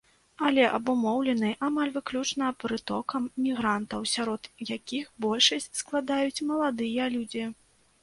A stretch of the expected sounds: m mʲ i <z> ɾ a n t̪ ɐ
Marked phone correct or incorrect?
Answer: incorrect